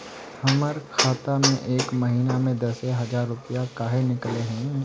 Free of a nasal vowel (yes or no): no